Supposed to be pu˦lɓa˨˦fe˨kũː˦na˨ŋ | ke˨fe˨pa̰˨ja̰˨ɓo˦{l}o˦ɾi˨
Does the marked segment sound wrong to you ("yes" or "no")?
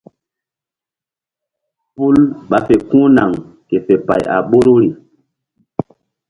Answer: yes